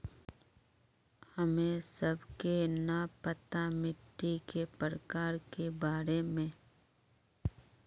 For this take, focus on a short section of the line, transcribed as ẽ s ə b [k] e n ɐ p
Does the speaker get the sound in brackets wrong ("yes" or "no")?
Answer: no